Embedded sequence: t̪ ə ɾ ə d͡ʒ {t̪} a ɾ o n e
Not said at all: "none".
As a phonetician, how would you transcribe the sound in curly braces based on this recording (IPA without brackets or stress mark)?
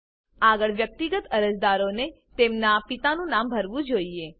d̪